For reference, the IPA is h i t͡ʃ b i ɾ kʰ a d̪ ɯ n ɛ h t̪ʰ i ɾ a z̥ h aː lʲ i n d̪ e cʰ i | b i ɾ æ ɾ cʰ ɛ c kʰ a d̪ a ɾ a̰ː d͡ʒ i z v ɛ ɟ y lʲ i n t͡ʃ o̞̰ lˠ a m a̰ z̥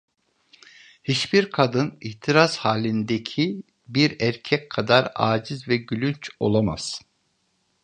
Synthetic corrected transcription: h i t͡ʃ b i ɾ kʰ a d̪ ɯ n i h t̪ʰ i ɾ a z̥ h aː lʲ i n d̪ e cʰ i | b i ɾ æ ɾ cʰ ɛ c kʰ a d̪ a ɾ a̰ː d͡ʒ i z v ɛ ɟ y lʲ y n t͡ʃ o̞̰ lˠ a m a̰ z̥